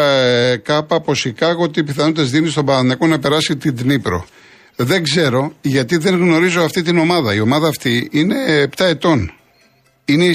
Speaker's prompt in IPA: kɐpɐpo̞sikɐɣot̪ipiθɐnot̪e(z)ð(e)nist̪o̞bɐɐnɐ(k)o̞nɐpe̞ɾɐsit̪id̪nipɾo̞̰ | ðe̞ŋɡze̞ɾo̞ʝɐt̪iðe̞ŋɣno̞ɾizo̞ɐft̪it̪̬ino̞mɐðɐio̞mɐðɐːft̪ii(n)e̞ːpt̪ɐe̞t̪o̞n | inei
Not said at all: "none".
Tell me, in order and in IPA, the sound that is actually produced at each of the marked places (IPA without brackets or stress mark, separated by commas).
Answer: z, i, k, n